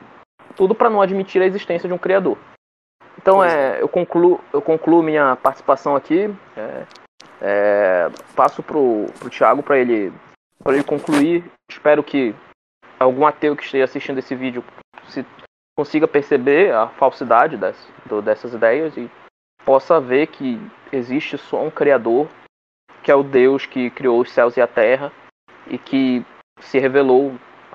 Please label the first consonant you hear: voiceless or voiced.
voiceless